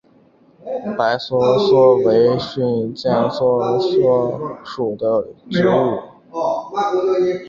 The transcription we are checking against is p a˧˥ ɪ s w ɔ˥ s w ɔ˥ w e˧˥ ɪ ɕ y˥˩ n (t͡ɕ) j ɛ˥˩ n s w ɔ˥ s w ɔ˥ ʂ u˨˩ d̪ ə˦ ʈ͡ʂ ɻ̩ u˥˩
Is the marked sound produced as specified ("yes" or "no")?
yes